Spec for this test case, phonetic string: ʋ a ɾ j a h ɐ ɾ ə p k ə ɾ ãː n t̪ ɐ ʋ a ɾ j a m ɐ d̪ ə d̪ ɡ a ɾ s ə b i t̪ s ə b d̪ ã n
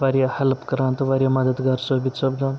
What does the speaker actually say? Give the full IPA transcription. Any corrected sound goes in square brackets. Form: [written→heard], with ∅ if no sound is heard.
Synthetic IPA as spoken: ʋ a ɾ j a h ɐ [ɾ→l] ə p k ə ɾ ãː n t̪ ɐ ʋ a ɾ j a m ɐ d̪ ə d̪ ɡ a ɾ s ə b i t̪ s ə b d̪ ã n